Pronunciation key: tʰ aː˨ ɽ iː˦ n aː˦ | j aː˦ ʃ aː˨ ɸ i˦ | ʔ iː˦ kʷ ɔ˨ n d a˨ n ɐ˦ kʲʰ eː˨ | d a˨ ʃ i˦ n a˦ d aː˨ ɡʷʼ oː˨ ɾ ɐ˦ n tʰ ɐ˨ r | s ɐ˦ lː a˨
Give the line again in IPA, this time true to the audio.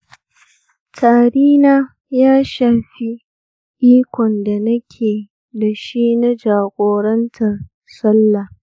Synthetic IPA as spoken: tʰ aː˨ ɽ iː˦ n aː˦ | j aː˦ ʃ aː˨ ɸ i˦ | ʔ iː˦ kʷ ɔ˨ n d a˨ n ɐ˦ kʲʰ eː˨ | d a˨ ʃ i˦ n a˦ d͡ʒ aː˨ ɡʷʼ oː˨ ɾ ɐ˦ n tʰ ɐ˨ r | s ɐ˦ lː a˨